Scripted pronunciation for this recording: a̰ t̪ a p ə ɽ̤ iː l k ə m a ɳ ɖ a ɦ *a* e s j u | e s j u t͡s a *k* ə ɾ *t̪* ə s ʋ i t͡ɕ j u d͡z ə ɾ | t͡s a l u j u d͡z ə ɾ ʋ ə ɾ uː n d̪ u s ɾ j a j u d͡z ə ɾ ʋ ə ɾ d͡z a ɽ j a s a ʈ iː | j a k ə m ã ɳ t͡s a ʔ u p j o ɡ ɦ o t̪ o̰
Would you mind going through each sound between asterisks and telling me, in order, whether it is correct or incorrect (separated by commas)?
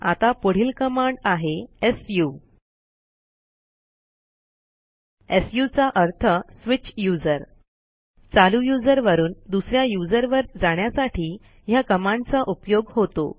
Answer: incorrect, incorrect, incorrect